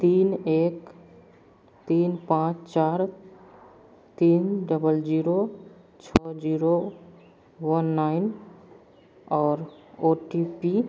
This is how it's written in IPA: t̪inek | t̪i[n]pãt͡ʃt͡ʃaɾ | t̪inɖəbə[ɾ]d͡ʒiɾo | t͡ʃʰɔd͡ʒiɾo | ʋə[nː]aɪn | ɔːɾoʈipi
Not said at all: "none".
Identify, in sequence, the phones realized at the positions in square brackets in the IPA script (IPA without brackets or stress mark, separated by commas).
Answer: n, l, nː